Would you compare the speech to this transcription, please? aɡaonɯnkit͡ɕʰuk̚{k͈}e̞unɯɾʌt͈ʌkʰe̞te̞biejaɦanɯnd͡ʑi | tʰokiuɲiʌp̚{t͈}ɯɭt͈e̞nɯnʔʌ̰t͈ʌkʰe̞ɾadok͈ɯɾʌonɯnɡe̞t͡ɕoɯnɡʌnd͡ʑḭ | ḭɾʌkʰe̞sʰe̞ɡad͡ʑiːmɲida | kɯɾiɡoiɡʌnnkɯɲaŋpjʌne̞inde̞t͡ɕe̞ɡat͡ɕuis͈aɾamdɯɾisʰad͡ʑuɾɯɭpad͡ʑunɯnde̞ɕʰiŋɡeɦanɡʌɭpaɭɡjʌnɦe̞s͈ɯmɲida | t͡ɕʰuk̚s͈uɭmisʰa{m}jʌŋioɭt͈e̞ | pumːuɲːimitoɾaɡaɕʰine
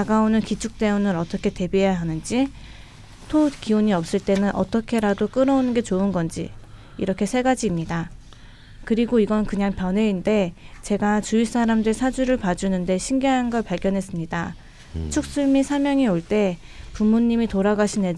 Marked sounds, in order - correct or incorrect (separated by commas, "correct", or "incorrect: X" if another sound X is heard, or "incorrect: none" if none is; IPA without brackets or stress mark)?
incorrect: t͈, incorrect: s͈, correct